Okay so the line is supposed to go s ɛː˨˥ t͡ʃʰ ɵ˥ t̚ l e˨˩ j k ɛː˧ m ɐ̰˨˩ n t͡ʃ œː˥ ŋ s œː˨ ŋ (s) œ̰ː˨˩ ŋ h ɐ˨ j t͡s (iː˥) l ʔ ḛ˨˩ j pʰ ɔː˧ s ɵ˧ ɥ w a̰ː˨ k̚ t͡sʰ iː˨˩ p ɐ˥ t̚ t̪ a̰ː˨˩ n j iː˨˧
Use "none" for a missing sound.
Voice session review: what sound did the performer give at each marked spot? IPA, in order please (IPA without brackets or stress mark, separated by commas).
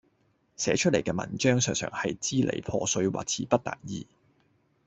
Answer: s, iː˥